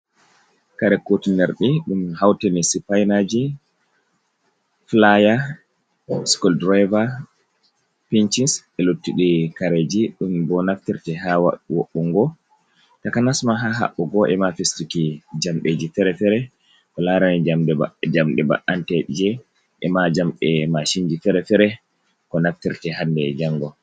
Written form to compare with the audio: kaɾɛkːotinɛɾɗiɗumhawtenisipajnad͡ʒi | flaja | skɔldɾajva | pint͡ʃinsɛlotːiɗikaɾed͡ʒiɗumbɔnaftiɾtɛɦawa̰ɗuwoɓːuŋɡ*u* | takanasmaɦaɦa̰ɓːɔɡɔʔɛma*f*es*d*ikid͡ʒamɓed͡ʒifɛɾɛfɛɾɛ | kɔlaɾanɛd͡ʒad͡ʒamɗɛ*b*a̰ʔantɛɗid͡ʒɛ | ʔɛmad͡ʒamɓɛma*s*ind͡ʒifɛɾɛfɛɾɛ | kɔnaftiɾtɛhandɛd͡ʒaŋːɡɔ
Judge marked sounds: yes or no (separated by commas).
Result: no, yes, no, yes, no